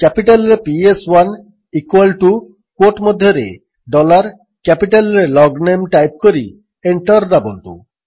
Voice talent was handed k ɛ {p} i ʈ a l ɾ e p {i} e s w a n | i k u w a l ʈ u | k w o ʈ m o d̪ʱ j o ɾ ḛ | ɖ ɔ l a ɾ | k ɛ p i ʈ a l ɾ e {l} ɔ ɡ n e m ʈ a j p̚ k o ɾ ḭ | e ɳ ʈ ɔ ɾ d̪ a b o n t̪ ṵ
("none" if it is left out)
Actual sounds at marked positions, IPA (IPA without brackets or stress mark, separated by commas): p, i, l